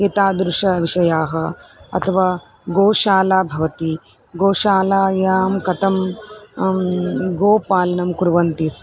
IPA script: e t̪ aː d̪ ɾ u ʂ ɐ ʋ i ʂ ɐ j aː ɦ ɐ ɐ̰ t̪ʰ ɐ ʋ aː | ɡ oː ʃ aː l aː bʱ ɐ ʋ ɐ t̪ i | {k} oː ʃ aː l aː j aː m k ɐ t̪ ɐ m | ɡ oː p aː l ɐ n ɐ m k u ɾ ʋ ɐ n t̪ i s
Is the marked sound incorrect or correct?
incorrect